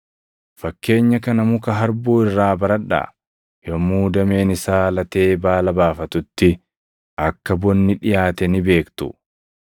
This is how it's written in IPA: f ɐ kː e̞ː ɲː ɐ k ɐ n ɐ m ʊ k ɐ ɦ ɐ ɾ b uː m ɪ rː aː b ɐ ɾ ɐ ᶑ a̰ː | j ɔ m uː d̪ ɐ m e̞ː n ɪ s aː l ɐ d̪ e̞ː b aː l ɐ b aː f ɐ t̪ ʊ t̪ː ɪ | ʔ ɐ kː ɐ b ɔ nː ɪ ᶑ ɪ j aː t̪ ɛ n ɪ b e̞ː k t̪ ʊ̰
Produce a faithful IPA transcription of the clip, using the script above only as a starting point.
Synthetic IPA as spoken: f ɐ kː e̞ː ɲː ɐ k ɐ n ɐ m ʊ k ɐ ɦ ɐ ɾ b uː ɪ rː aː b ɐ ɾ ɐ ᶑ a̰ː | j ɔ m uː d̪ ɐ m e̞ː n ɪ s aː l ɐ t̪ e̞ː b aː l ɐ b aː f ɐ t̪ ʊ t̪ː ɪ | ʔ ɐ kː ɐ b ɔ nː ɪ ᶑ ɪ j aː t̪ ɛ n ɪ b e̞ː k t̪ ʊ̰